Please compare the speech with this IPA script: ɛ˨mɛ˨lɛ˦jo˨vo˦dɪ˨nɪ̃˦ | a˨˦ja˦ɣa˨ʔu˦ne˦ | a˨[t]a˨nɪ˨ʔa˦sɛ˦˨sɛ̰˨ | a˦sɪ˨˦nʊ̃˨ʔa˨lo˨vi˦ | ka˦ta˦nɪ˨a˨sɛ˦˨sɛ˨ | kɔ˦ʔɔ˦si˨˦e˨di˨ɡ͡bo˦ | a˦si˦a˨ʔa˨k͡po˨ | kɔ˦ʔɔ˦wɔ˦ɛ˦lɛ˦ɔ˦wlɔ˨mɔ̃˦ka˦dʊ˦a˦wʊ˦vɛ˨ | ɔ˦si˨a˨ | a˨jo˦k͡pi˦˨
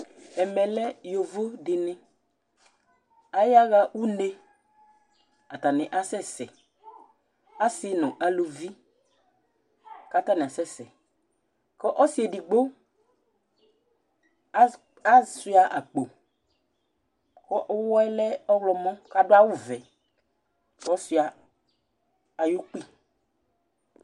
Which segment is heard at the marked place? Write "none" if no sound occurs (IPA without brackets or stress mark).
t